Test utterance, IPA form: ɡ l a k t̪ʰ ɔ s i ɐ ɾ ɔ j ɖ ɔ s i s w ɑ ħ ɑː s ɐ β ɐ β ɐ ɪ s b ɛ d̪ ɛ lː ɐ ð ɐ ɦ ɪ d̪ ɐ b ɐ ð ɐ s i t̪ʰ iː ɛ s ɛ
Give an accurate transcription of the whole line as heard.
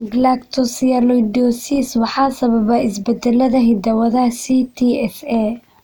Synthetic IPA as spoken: ɡ l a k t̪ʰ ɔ s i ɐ l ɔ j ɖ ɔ s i s w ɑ ħ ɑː s ɐ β ɐ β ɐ ɪ s b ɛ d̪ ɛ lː ɐ ð ɐ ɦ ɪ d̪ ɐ w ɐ ð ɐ s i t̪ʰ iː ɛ s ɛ